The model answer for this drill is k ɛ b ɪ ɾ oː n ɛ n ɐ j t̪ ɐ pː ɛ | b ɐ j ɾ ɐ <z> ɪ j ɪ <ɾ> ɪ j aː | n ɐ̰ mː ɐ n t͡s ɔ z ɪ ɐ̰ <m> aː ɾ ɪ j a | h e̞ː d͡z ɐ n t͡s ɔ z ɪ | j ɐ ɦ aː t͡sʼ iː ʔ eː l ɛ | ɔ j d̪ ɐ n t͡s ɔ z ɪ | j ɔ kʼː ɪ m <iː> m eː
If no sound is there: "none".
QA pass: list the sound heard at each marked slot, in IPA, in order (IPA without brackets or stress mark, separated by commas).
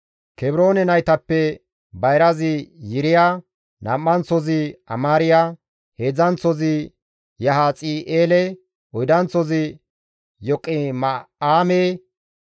z, ɾ, m, aː